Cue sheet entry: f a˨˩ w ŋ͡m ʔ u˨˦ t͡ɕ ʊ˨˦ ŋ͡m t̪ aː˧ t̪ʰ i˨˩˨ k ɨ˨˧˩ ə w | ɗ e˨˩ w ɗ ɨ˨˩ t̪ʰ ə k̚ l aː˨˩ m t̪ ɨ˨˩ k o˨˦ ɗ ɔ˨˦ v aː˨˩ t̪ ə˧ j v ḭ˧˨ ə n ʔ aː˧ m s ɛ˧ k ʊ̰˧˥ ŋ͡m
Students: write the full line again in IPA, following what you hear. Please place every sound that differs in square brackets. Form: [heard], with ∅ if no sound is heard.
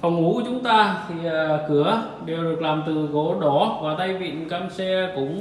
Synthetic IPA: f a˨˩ w ŋ͡m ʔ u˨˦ t͡ɕ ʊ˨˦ ŋ͡m t̪ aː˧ t̪ʰ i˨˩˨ k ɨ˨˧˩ ə [∅] | ɗ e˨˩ w ɗ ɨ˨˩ [∅] ə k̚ l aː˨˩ m t̪ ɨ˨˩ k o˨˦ ɗ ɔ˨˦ v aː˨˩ t̪ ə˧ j v ḭ˧˨ ə n [k] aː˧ m s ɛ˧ k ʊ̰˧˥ ŋ͡m

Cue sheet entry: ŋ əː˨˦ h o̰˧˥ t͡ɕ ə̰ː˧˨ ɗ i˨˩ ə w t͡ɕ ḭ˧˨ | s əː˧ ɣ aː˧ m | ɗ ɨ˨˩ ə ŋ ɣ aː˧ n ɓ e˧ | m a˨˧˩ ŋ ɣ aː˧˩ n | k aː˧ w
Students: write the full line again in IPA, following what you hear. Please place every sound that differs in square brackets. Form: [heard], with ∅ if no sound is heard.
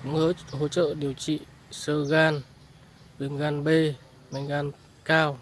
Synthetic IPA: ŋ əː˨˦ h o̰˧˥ t͡ɕ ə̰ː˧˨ ɗ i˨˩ ə w t͡ɕ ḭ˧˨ | s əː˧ ɣ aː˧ [n] | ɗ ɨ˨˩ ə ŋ ɣ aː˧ n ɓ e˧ | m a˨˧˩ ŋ ɣ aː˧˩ n | k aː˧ w

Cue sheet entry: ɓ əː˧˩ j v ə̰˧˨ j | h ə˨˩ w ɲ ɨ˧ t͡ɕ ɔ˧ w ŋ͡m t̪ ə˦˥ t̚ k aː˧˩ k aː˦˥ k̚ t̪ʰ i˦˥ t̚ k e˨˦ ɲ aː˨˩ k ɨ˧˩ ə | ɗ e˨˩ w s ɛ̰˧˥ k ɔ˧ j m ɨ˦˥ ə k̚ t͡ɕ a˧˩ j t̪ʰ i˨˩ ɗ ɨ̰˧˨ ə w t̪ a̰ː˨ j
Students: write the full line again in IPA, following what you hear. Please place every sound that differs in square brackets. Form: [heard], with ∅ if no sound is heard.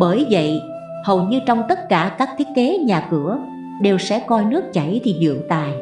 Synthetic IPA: ɓ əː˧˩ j v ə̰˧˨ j | h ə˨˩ w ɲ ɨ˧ t͡ɕ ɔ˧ w ŋ͡m t̪ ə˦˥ t̚ k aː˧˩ k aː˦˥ k̚ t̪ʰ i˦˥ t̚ k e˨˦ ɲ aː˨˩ k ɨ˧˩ ə | ɗ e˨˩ w s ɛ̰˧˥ k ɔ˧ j [n] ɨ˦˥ ə k̚ t͡ɕ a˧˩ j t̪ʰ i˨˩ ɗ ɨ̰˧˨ ə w t̪ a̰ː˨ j

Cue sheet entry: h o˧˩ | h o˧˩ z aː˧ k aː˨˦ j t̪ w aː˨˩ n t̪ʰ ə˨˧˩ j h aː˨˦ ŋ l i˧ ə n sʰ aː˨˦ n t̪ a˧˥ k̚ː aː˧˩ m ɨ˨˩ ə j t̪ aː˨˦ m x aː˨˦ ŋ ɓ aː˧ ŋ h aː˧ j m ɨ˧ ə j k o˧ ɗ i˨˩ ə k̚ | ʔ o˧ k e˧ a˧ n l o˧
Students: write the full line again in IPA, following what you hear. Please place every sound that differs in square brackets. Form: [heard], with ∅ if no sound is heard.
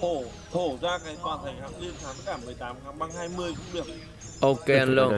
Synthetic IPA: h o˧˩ | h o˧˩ z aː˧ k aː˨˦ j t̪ w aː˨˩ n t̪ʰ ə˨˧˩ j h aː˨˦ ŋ l i˧ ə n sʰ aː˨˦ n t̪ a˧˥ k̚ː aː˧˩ m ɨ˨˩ ə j t̪ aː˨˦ m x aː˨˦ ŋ ɓ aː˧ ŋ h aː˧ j m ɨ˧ ə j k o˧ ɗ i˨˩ ə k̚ | ʔ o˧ k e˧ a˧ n l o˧

